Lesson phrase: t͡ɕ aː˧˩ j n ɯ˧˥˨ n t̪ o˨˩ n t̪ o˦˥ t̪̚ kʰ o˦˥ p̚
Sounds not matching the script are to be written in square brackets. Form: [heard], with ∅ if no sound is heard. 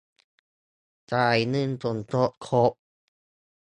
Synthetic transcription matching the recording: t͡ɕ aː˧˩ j n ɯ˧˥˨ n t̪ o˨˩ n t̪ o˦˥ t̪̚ kʰ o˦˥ p̚